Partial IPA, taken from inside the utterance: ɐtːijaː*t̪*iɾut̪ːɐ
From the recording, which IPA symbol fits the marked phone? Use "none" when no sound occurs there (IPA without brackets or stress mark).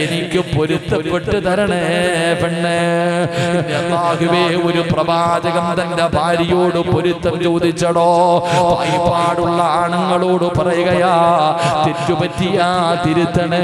t̪